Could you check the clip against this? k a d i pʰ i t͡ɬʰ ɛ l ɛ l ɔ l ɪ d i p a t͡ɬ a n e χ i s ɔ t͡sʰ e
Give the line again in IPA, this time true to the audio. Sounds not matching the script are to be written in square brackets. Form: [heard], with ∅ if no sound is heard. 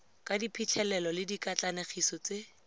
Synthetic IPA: k a d i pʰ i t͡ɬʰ ɛ l ɛ l ɔ l ɪ d i [k] a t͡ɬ a n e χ i s ɔ [t͡s] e